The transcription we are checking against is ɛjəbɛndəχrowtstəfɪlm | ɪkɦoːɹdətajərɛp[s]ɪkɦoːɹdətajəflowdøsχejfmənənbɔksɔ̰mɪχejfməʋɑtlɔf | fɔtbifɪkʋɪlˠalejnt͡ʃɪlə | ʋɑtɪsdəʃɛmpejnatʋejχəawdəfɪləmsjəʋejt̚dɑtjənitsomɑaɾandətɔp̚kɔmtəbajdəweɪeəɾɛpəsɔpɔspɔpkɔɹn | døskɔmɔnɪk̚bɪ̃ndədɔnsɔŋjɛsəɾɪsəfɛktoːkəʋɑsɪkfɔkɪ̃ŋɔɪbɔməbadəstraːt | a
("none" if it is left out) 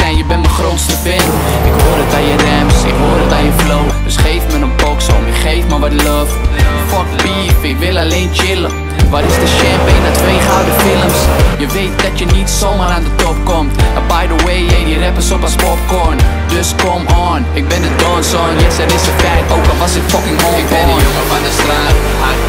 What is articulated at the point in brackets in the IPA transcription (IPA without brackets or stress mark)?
s